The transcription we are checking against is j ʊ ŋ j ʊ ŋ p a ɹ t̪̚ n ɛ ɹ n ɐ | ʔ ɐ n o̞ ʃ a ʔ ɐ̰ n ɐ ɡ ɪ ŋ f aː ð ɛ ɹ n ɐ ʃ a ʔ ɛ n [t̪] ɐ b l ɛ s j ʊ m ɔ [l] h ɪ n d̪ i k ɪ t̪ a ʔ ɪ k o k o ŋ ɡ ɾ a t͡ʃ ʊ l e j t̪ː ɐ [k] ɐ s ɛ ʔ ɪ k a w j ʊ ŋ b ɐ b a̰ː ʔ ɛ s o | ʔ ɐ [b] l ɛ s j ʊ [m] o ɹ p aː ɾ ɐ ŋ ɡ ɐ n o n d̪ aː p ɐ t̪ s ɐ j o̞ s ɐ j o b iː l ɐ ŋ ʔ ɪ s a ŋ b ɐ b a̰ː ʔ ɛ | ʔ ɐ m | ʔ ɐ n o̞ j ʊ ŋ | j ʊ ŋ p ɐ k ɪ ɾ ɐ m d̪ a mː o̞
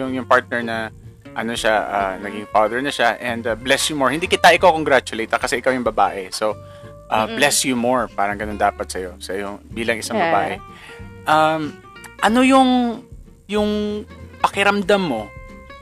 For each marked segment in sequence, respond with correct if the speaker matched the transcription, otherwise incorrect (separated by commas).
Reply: incorrect, incorrect, correct, correct, correct